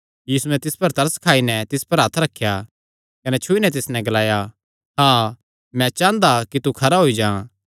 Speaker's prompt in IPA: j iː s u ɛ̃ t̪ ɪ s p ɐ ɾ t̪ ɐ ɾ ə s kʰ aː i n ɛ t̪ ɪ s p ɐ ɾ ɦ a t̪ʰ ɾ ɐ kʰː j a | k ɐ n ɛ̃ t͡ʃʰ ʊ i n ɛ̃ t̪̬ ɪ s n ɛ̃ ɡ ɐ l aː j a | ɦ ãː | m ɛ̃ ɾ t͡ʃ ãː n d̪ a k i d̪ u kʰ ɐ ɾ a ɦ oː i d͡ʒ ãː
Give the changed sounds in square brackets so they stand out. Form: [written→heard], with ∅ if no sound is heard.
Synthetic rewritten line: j iː s u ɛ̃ t̪ ɪ s p ɐ ɾ t̪ ɐ ɾ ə s kʰ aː i n ɛ t̪ ɪ s p ɐ ɾ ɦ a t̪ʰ ɾ ɐ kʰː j a | k ɐ n [ɛ̃→ɛ] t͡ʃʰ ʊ i n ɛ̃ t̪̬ ɪ s n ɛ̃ ɡ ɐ l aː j a | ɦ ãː | m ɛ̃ [ɾ→∅] t͡ʃ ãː n d̪ a k i [d̪→t̪] u kʰ ɐ ɾ a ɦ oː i d͡ʒ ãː

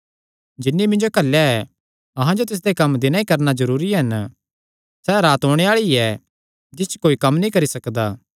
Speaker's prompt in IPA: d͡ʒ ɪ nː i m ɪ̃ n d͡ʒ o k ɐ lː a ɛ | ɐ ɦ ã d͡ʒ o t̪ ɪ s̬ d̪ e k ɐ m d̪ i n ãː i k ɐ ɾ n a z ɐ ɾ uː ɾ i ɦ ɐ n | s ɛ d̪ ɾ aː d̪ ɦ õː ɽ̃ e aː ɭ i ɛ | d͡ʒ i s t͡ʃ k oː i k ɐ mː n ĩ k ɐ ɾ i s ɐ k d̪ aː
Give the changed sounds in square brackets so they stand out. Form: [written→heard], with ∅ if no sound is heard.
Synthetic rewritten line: d͡ʒ ɪ nː i m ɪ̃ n d͡ʒ o k ɐ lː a ɛ | ɐ ɦ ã d͡ʒ o t̪ ɪ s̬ d̪ e k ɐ m d̪ [i→ɪ] n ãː i k ɐ ɾ n a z ɐ ɾ uː ɾ i ɦ ɐ n | s ɛ [d̪→∅] ɾ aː [d̪→t̪] ɦ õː ɽ̃ e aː ɭ i ɛ | d͡ʒ [i→ɪ] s t͡ʃ k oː i k ɐ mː n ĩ k ɐ ɾ i s ɐ k d̪ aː

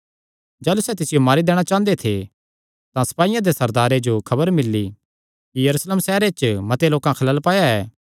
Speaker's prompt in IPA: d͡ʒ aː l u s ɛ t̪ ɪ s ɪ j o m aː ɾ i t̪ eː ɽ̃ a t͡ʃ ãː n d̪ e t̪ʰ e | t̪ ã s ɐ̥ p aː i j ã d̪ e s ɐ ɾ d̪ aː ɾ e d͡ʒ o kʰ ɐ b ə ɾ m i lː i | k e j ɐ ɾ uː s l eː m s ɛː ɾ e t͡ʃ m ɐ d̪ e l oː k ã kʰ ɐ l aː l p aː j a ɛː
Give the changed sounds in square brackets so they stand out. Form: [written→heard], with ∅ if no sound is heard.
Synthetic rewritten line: d͡ʒ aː l u s ɛ t̪ ɪ s ɪ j o m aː ɾ i [t̪→d̪] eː ɽ̃ a t͡ʃ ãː n d̪ e t̪ʰ e | t̪ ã s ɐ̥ p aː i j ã d̪ e s ɐ ɾ d̪ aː ɾ e d͡ʒ o kʰ ɐ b ə ɾ m [i→ɪ] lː i | k [e→i] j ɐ ɾ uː s l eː m s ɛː ɾ e t͡ʃ m ɐ [d̪→t̪] e l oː k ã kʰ ɐ l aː l p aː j a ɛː

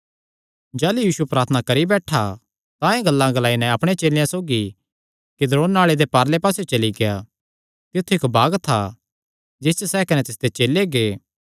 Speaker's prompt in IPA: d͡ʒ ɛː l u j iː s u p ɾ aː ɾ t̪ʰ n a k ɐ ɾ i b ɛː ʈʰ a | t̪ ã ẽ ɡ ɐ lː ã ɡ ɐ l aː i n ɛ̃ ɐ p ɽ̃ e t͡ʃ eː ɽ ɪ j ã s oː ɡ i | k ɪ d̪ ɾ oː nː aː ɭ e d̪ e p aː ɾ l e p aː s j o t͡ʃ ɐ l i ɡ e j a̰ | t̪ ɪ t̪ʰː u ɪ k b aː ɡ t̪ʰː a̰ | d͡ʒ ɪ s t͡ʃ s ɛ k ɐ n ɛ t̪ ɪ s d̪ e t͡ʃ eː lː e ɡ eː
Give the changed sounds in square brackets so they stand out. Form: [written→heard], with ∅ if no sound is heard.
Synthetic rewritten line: d͡ʒ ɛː l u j iː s u p ɾ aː ɾ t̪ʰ n a k ɐ ɾ i b ɛː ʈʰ a | t̪ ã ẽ ɡ ɐ lː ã ɡ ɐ l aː i n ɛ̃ ɐ p ɽ̃ e t͡ʃ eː [ɽ→l] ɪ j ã s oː ɡ i | k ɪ d̪ ɾ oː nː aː ɭ e d̪ e p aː ɾ l e p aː s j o t͡ʃ ɐ l i ɡ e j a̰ | t̪ ɪ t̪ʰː u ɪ k b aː ɡ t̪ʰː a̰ | d͡ʒ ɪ s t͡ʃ s ɛ k ɐ n ɛ t̪ ɪ s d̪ e t͡ʃ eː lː e ɡ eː

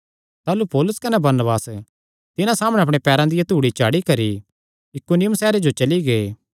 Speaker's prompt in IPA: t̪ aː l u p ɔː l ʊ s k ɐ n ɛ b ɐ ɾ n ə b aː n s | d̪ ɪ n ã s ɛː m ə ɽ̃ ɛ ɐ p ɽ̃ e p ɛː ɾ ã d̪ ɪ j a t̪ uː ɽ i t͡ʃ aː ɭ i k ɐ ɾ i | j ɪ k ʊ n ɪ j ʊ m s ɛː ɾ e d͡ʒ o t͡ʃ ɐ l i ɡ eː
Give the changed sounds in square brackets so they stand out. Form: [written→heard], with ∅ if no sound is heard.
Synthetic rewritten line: t̪ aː l u p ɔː l ʊ s k ɐ n ɛ b ɐ ɾ n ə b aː [n→∅] s | [d̪→t̪] ɪ n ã s [ɛː→aː] m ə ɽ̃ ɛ ɐ p ɽ̃ e p ɛː ɾ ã d̪ ɪ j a t̪ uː ɽ i t͡ʃ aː [ɭ→ɽ] i k ɐ ɾ i | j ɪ k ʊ n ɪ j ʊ m s ɛː ɾ e d͡ʒ o t͡ʃ ɐ l i ɡ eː

